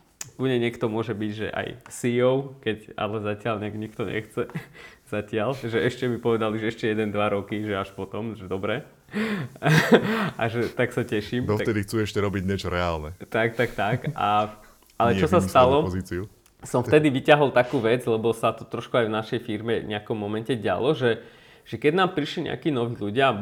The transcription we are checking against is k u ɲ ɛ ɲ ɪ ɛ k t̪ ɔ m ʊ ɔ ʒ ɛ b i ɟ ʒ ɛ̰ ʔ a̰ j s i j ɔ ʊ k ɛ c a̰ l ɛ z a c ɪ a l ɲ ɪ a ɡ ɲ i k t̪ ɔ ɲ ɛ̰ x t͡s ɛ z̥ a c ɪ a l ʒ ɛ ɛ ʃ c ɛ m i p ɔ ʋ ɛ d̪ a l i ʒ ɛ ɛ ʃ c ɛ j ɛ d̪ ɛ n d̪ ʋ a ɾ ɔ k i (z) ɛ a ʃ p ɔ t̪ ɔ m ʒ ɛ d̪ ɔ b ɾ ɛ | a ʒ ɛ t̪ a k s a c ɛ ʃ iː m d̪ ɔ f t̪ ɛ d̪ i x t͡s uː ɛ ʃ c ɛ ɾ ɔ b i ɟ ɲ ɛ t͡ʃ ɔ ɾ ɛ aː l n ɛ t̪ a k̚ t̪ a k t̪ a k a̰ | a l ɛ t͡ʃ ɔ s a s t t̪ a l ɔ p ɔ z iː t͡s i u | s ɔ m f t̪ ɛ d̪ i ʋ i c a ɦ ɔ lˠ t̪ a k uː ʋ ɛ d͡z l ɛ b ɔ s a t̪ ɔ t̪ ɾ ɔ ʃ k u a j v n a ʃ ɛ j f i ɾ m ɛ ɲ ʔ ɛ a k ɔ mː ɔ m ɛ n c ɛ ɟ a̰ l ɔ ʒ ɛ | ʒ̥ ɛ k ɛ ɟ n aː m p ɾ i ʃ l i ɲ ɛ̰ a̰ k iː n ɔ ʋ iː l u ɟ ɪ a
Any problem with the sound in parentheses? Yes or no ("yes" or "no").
yes